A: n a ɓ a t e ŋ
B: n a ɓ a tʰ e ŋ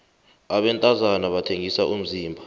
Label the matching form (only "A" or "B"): B